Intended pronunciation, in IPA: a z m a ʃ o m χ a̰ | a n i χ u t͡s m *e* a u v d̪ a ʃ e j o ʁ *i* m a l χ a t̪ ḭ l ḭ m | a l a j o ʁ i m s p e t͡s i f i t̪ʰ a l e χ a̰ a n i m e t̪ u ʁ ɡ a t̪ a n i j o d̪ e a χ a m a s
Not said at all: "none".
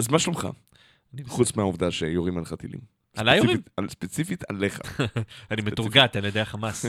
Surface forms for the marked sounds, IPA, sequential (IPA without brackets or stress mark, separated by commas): e, i